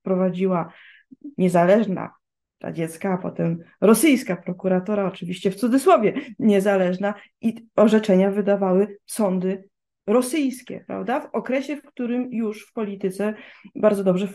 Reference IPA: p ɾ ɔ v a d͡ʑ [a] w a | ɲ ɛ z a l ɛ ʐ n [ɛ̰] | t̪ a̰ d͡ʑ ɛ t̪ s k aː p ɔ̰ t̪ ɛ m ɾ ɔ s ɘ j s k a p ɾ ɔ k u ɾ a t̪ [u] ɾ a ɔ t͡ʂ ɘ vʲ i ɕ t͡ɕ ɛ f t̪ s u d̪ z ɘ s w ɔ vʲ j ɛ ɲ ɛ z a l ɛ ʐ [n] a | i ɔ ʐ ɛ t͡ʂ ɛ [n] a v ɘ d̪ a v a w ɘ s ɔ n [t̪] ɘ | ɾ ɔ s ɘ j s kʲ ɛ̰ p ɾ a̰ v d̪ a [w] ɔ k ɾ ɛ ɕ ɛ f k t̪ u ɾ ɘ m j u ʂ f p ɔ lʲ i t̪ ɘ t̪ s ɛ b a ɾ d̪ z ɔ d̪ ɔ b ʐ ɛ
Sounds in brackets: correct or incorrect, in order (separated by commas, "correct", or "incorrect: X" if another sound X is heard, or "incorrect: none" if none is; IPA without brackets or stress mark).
incorrect: i, incorrect: a̰, incorrect: ɔ, correct, incorrect: ɲ, incorrect: d̪, incorrect: v